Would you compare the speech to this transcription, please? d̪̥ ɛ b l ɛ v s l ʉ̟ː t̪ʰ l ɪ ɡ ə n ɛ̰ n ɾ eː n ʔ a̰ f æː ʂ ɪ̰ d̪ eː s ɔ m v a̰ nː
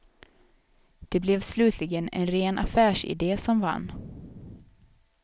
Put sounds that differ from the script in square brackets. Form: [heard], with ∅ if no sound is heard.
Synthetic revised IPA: d̪̥ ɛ b l ɛ v s l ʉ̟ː t̪ʰ l ɪ ɡ ə n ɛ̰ n ɾ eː n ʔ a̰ f æː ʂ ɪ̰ d̪ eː s ɔ m v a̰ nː